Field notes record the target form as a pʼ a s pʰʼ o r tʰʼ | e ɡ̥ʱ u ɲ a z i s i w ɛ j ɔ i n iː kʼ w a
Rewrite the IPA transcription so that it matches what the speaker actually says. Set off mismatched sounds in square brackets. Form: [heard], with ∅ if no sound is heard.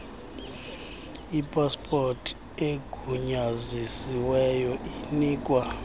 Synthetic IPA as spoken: [i] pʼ a s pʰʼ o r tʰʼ | e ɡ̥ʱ u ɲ a z i s i w ɛ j ɔ i n iː kʼ w a